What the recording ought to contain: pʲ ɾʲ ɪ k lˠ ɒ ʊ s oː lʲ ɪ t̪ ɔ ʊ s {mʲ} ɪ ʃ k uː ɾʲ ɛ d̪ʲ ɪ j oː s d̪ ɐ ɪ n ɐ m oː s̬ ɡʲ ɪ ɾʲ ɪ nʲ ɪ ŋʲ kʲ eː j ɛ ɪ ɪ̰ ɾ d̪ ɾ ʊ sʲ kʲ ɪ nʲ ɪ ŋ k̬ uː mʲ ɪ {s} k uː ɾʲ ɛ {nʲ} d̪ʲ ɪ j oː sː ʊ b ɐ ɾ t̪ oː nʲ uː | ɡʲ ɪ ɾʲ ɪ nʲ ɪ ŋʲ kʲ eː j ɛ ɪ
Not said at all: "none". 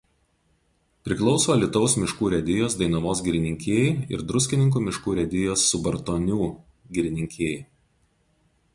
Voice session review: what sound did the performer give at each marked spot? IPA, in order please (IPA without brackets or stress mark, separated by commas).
mʲ, ʃ, none